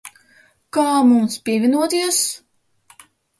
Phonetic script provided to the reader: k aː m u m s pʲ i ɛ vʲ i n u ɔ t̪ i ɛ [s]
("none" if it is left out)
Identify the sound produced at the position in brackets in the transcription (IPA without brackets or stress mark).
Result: s